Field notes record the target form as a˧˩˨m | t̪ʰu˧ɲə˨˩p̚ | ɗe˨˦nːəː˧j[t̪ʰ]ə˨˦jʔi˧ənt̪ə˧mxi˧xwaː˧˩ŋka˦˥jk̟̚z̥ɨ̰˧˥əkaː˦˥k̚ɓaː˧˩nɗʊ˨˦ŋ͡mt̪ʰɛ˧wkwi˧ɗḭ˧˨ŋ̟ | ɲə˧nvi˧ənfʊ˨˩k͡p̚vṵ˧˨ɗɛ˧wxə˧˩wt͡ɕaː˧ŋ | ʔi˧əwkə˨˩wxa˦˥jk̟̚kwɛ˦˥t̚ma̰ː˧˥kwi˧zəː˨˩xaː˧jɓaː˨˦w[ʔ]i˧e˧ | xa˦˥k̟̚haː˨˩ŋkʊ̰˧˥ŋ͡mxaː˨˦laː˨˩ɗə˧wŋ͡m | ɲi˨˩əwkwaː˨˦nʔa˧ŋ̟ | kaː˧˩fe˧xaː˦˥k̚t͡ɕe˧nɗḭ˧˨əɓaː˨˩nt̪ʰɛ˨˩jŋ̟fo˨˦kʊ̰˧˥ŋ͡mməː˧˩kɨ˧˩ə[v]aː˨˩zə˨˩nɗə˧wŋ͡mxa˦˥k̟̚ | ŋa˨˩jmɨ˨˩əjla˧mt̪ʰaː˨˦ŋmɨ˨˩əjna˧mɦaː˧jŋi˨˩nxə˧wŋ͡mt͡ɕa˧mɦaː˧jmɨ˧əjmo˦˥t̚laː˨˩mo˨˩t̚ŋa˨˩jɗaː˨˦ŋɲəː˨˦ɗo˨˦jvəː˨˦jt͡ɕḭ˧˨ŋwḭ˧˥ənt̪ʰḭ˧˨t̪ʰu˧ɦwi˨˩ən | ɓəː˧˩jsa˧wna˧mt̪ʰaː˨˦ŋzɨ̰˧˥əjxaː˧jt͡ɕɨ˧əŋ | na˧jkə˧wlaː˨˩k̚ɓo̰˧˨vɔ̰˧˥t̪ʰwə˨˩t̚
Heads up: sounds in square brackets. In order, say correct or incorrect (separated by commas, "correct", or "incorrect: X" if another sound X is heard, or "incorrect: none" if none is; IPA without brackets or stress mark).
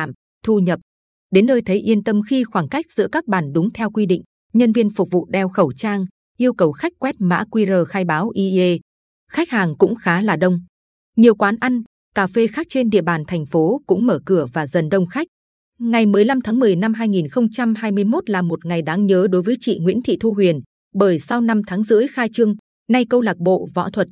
correct, correct, correct